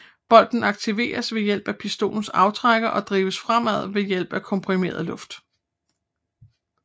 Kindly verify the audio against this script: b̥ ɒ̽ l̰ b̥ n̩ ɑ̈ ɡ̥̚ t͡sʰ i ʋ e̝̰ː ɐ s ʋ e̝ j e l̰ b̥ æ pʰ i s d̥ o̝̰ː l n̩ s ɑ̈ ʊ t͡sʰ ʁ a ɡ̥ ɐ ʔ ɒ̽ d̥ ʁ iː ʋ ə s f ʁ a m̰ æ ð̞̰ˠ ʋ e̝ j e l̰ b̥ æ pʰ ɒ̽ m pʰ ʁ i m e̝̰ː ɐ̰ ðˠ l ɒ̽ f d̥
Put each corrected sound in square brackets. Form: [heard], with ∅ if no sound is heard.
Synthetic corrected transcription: b̥ ɒ̽ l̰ [d̥] n̩ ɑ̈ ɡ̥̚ t͡sʰ i ʋ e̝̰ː ɐ s ʋ e̝ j e l̰ b̥ æ pʰ i s d̥ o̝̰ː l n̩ s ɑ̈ ʊ t͡sʰ ʁ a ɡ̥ ɐ ʔ ɒ̽ d̥ ʁ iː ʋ ə s f ʁ a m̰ æ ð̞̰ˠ ʋ e̝ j e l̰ b̥ æ [kʰ] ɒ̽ m pʰ ʁ i m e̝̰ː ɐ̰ ðˠ l [ɔ̽] f d̥